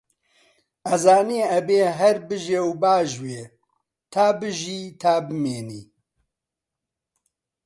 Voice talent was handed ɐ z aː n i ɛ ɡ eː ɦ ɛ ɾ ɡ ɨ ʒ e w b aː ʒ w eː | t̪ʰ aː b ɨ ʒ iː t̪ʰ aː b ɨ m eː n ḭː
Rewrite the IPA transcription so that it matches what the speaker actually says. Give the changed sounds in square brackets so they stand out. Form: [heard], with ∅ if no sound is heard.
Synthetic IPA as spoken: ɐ z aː n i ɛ [b] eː ɦ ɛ ɾ [b] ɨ ʒ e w b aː ʒ w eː | t̪ʰ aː b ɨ ʒ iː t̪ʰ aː b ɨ m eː n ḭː